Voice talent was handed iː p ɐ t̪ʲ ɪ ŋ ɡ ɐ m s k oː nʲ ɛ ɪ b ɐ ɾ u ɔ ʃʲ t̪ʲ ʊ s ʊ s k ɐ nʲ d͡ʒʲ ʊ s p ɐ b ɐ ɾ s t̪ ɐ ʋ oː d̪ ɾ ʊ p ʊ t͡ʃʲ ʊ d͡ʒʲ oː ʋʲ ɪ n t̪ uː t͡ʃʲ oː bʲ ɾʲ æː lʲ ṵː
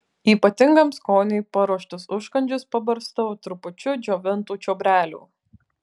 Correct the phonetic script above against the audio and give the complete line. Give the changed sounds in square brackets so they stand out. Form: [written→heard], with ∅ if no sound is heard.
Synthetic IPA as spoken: iː p ɐ t̪ʲ ɪ ŋ ɡ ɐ m s k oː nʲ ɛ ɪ [b→p] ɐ ɾ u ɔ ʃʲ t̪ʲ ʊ s ʊ [s→ʃ] k ɐ nʲ d͡ʒʲ ʊ s p ɐ b ɐ ɾ s t̪ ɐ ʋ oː [d̪→t̪] ɾ ʊ p ʊ t͡ʃʲ ʊ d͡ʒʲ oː ʋʲ ɪ n t̪ uː t͡ʃʲ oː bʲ ɾʲ æː lʲ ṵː